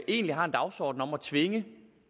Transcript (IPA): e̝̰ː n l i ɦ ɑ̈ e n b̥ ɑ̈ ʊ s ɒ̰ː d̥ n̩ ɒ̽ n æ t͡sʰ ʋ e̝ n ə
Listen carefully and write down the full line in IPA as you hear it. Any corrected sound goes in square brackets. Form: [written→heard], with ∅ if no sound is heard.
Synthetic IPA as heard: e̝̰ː n l i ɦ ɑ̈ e n [b̥→d̥] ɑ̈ ʊ s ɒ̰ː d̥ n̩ ɒ̽ [n→m] æ t͡sʰ ʋ e̝ [n→ŋ] ə